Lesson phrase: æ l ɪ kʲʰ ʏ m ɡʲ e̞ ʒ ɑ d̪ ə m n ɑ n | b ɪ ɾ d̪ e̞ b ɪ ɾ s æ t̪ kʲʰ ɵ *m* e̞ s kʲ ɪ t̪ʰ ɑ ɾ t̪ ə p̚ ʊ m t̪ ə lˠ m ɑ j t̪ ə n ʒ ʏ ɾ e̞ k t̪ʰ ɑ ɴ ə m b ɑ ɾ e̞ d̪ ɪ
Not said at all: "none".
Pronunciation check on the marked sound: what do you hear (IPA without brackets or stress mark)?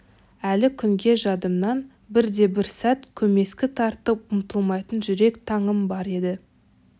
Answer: m